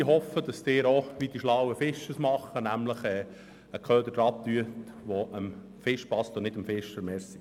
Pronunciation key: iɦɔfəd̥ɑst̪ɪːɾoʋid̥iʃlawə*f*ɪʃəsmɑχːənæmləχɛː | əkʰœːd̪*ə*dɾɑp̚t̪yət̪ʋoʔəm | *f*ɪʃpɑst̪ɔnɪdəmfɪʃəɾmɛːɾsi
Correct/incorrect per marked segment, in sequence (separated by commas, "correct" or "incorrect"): correct, correct, correct